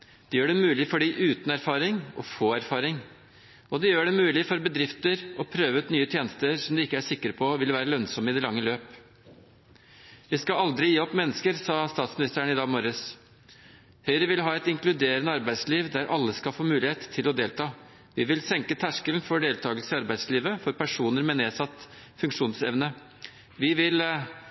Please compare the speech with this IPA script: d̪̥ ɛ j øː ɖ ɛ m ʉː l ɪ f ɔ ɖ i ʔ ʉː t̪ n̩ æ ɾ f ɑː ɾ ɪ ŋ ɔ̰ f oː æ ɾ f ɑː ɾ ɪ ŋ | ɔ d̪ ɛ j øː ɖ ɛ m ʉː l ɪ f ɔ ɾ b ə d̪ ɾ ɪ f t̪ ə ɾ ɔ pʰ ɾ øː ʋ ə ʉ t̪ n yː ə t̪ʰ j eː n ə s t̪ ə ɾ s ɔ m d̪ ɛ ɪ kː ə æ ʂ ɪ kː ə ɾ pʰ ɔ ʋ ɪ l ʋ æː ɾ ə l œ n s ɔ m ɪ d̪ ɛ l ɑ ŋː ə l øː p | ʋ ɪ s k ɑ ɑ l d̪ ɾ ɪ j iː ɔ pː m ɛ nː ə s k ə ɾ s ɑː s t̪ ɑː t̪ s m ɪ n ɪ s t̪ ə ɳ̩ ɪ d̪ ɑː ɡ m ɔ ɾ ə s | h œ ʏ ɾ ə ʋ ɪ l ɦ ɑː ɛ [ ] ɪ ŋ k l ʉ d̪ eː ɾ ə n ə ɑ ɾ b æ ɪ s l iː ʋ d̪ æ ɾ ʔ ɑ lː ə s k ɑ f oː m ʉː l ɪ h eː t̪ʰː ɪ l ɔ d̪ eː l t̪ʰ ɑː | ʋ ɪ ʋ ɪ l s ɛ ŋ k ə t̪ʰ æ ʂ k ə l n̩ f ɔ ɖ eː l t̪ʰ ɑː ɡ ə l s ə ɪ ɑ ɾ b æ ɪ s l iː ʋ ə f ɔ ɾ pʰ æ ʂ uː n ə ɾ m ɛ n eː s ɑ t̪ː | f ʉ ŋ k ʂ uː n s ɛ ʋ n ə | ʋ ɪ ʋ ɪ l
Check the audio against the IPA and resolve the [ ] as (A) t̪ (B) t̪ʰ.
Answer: A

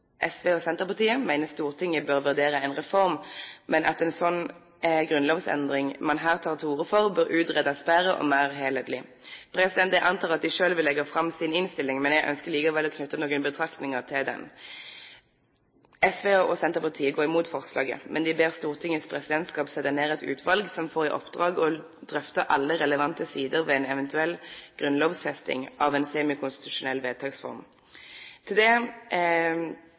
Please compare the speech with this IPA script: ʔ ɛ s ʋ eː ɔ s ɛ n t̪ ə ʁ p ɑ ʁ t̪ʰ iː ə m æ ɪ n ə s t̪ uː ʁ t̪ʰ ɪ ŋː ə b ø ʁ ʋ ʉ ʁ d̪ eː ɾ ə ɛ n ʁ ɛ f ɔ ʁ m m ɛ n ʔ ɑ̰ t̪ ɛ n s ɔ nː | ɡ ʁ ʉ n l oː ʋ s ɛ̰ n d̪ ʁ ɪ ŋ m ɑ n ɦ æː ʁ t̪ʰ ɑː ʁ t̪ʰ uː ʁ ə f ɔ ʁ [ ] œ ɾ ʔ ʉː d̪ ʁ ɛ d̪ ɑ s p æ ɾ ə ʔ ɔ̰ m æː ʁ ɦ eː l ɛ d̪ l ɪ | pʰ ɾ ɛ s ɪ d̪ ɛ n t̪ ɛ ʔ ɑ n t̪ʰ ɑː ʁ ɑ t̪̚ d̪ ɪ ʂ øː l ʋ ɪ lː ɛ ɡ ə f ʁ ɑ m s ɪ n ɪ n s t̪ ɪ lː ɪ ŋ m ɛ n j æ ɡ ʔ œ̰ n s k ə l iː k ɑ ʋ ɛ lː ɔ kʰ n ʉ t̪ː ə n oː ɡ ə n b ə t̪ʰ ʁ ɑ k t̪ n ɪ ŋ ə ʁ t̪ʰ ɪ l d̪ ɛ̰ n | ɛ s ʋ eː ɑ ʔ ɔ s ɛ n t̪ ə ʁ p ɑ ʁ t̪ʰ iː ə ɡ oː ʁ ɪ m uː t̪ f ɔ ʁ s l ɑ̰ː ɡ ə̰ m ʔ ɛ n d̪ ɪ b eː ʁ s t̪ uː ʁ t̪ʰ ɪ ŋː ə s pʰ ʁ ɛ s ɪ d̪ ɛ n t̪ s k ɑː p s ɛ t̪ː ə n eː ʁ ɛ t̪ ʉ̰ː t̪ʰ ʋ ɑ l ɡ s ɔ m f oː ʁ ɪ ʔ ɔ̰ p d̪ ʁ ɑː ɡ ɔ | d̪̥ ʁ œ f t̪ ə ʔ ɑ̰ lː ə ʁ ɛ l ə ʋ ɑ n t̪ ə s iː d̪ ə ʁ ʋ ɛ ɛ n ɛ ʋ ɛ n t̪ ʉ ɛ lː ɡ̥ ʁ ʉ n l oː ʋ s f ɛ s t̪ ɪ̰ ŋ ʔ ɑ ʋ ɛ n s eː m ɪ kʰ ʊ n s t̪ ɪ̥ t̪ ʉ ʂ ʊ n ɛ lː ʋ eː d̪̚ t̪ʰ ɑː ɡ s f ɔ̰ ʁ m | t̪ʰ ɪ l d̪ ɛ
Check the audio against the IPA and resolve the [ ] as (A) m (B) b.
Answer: B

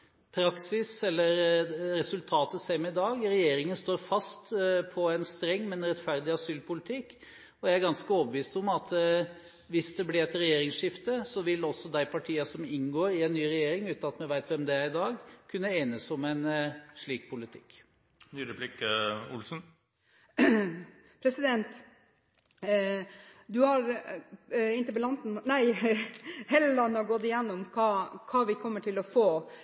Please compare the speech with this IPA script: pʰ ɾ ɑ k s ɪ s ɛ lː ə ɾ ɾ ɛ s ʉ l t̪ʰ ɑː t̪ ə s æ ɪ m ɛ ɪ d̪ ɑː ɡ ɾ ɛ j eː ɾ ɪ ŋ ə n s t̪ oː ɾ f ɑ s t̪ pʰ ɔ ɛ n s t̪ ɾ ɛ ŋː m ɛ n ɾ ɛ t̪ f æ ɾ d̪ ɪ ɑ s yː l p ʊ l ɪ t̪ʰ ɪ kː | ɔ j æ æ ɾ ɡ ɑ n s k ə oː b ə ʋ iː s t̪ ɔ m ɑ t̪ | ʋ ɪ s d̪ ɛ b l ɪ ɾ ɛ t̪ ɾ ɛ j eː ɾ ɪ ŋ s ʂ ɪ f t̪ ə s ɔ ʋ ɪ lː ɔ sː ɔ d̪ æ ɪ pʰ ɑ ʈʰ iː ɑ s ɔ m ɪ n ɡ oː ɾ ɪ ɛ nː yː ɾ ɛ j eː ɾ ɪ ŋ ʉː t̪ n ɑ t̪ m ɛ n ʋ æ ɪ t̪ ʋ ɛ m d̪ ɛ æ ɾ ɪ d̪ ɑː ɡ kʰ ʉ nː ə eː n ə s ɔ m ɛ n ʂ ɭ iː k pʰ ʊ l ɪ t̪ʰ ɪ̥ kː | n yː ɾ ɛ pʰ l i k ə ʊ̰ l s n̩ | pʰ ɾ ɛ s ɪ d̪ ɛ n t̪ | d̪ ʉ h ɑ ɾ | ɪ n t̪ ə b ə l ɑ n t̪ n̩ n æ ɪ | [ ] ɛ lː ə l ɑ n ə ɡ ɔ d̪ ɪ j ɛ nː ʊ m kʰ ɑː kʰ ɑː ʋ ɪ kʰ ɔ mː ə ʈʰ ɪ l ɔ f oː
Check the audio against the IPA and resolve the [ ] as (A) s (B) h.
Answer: B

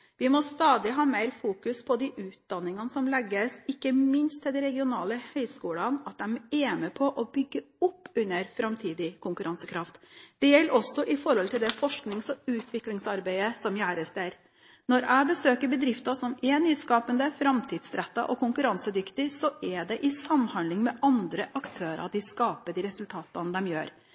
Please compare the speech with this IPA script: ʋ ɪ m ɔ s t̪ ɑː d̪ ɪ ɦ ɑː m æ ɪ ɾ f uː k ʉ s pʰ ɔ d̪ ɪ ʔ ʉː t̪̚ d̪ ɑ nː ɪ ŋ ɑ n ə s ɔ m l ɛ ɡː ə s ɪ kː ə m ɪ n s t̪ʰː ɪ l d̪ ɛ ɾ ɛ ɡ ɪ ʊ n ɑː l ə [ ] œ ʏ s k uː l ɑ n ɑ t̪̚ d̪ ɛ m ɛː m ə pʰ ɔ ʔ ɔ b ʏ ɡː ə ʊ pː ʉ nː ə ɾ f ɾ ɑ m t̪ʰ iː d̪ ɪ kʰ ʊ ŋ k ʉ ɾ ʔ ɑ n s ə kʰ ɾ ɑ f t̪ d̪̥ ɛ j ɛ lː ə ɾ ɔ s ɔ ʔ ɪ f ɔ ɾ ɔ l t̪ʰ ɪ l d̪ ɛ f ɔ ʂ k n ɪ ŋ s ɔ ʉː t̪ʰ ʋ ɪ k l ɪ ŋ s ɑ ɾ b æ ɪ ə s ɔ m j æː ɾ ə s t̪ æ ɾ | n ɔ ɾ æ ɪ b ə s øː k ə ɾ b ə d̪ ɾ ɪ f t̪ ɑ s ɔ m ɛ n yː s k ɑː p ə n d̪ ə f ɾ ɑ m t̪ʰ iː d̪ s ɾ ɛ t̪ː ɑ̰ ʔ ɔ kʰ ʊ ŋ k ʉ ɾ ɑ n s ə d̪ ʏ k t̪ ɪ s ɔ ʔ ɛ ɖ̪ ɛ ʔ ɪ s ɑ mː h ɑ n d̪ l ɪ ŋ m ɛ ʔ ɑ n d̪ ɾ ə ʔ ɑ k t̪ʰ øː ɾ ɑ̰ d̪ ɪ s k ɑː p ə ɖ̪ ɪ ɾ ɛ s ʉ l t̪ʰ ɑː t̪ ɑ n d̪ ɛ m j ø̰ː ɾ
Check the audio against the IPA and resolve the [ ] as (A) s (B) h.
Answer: B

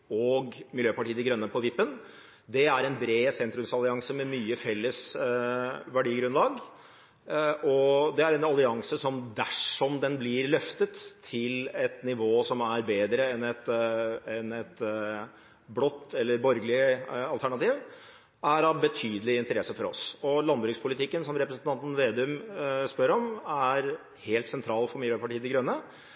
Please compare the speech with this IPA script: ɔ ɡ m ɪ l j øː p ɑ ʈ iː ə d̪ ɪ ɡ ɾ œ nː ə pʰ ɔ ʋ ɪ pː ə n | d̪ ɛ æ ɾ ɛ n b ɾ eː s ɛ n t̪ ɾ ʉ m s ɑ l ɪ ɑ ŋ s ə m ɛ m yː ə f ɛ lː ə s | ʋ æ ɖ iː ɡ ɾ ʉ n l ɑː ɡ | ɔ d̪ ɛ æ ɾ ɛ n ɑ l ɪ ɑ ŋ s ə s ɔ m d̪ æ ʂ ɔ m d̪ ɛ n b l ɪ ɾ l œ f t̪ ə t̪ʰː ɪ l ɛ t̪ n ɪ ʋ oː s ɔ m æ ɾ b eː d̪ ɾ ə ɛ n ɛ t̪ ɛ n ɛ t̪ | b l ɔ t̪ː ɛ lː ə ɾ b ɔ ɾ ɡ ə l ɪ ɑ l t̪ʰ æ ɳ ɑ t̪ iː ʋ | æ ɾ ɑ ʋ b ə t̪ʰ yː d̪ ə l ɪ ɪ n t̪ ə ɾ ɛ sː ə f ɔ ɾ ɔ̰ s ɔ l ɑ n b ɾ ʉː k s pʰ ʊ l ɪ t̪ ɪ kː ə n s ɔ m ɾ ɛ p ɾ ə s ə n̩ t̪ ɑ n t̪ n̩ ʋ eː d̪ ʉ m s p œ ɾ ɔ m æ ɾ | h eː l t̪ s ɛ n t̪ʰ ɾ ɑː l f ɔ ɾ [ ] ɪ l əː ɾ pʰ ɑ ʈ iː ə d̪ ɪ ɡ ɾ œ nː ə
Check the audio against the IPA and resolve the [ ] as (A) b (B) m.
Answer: B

